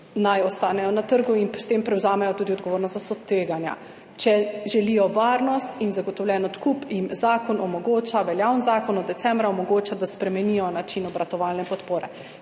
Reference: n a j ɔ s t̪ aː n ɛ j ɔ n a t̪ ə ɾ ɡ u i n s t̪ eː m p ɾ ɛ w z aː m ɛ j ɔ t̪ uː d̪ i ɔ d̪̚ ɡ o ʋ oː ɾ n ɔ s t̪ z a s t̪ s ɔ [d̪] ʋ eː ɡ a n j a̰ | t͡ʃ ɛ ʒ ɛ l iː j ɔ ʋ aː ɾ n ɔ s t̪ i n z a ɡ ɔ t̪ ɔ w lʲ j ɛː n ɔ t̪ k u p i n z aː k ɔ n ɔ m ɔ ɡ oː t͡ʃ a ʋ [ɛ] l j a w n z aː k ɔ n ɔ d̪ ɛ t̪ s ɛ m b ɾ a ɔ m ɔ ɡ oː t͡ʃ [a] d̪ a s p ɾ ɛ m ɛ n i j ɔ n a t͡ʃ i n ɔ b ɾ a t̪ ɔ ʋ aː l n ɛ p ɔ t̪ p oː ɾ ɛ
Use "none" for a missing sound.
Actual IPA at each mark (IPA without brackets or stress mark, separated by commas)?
t̪, ɛ, a